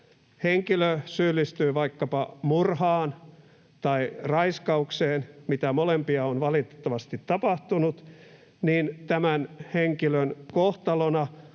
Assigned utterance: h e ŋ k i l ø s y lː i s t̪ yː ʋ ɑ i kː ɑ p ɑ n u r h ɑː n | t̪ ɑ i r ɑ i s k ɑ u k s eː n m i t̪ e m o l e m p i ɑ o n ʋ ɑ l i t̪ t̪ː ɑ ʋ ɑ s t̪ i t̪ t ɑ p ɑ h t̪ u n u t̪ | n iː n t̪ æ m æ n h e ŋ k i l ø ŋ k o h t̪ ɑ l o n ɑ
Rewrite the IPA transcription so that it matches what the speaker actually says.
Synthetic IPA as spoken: h e ŋ k i l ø s y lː i s t̪ yː ʋ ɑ i kː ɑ p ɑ m u r h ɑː n | t̪ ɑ i r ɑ i s k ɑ u k s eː n m i t̪ æ m o l e m p i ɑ o n ʋ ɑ l i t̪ t̪ː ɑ ʋ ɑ s t̪ i t̪ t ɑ p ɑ h t̪ u n u t̪ | n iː n t̪ æ m æ n h e ŋ k i l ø n k o h t̪ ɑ l o n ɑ